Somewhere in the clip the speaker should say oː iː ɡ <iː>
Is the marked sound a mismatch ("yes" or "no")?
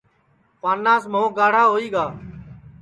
yes